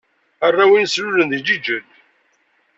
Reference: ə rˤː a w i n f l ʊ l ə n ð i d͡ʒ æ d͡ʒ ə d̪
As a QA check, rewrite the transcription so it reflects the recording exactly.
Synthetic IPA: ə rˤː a w i n s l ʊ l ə n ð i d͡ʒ i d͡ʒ ə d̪